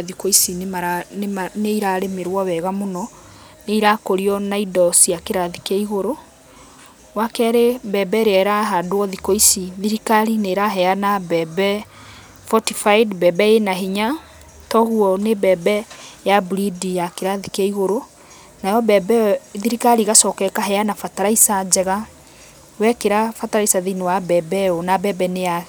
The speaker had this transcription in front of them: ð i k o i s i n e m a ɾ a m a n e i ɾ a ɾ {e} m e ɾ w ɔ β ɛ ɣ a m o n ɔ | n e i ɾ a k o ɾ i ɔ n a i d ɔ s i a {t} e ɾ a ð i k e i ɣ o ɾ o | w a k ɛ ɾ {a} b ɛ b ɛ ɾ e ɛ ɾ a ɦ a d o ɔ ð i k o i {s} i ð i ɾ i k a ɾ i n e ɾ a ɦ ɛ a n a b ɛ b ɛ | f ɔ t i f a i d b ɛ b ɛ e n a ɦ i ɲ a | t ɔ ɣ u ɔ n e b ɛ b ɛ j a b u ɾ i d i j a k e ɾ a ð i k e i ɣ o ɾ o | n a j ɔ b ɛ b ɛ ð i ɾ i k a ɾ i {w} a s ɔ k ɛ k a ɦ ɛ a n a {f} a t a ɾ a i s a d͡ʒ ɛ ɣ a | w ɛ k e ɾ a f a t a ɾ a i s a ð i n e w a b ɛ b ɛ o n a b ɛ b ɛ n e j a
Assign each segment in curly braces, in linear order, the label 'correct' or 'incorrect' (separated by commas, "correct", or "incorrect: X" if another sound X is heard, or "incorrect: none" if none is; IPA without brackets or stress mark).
correct, incorrect: k, incorrect: e, correct, incorrect: ɣ, correct